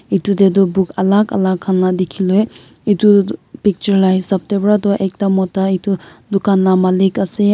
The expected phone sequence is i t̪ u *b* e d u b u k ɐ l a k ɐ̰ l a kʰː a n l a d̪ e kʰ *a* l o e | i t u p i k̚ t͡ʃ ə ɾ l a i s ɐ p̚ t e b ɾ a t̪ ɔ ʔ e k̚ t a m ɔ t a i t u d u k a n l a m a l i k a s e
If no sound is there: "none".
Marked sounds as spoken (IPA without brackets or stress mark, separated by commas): d, i